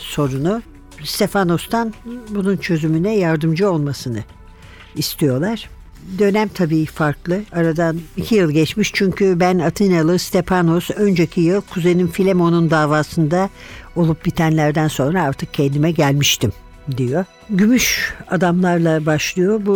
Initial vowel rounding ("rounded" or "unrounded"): rounded